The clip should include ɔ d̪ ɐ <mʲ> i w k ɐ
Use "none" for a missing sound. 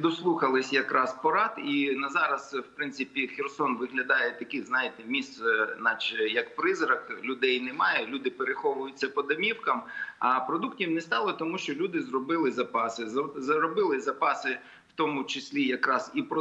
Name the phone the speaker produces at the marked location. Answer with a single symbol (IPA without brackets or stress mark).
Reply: mʲ